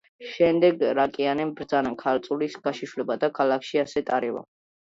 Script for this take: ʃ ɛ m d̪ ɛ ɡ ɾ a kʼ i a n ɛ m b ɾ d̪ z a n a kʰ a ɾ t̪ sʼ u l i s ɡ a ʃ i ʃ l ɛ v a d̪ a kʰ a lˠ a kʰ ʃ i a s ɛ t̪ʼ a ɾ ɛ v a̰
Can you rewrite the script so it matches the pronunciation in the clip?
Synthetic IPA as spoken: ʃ ɛ m d̪ ɛ ɡ ɾ a kʼ i a n ɛ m b ɾ d̪ z a n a kʰ a ɾ t̪ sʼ u l i s ɡ a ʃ i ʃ l ɛ b a d̪ a kʰ a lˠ a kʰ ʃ i a s ɛ t̪ʼ a ɾ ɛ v a̰